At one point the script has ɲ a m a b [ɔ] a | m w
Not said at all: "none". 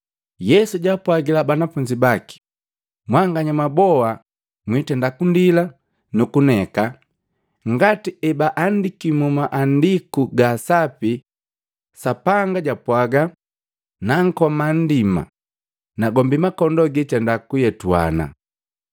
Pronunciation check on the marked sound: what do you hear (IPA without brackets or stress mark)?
ɔ